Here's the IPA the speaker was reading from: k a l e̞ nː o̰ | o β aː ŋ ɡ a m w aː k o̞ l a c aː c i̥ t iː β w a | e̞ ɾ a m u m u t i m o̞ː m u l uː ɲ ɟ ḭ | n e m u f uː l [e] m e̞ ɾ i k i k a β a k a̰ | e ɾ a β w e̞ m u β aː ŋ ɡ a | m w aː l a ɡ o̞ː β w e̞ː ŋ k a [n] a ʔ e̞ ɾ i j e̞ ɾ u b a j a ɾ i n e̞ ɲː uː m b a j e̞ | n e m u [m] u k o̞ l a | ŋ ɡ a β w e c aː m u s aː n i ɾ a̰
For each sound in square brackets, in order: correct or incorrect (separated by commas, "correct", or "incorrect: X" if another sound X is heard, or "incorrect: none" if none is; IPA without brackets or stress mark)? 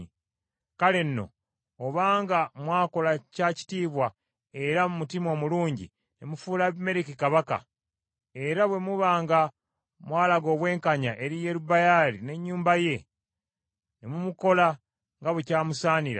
incorrect: a, incorrect: ɲ, correct